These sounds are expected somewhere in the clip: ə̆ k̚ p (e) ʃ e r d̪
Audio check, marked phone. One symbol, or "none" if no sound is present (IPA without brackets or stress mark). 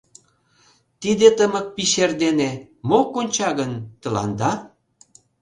i